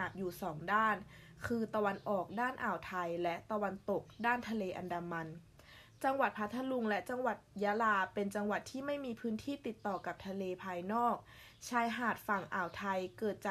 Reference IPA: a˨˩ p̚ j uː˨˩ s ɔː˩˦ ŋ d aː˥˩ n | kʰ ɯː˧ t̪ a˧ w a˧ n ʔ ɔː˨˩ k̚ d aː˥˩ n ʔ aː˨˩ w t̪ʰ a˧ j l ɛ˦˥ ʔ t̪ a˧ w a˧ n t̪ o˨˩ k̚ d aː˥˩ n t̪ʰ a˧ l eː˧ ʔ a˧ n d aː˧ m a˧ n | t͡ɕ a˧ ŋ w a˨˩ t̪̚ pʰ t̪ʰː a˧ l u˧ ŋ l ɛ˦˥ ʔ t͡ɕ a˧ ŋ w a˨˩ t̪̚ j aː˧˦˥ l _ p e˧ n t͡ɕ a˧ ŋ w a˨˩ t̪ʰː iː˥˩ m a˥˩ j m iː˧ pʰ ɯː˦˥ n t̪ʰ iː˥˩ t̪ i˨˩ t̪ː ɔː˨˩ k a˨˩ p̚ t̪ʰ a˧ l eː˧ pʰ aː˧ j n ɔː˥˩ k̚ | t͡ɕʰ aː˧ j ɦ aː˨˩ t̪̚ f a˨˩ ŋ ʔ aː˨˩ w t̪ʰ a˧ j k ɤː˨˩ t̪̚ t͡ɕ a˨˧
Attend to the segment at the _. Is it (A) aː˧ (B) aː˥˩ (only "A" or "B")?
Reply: A